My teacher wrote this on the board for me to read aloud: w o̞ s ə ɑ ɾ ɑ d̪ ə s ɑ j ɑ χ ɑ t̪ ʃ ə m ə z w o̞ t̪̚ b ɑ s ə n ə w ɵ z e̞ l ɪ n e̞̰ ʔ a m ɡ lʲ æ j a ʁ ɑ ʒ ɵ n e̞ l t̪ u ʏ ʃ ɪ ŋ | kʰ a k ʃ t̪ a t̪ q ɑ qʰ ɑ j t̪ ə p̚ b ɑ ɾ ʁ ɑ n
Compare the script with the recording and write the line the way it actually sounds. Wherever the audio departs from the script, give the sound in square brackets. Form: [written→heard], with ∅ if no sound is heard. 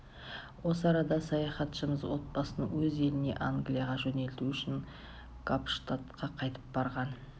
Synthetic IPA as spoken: w o̞ s ə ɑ ɾ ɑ d̪ [ə→ɑ] s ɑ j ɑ χ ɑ t̪ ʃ ə m ə z w o̞ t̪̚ b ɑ s ə n ə w ɵ z e̞ l ɪ n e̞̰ ʔ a [m→ŋ] ɡ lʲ [æ→i] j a ʁ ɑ ʒ ɵ n e̞ l t̪ u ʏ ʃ ɪ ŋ | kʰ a [k→p] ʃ t̪ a t̪ q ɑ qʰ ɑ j t̪ ə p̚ b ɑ ɾ ʁ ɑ n